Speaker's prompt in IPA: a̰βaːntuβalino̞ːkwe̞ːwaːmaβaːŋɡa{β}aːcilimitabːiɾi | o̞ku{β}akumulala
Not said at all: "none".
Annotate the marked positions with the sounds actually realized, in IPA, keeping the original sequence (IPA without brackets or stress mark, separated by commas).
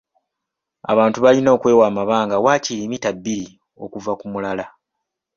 w, v